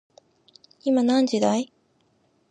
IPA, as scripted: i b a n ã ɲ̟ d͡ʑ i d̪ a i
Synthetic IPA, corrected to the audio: i m a n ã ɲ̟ d͡ʑ i d̪ a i